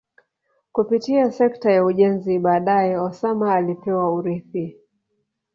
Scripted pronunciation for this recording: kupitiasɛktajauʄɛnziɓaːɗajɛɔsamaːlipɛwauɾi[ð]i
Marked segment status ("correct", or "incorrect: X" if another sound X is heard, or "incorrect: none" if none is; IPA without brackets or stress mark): incorrect: θ